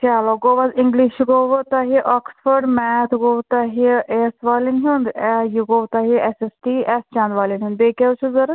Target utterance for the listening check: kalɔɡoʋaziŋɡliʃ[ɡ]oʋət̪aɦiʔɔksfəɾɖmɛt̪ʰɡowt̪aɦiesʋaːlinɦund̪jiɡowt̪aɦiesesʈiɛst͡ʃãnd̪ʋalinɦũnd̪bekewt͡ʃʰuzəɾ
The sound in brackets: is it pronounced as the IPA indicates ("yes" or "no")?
yes